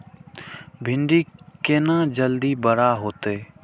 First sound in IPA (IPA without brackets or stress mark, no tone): bʱ